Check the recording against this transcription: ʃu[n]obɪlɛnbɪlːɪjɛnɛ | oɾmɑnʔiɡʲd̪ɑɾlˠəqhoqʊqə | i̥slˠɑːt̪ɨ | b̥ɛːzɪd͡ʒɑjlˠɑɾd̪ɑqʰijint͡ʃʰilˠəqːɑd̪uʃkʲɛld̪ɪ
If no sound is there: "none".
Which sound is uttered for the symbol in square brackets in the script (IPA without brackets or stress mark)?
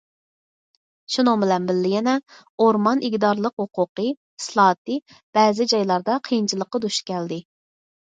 n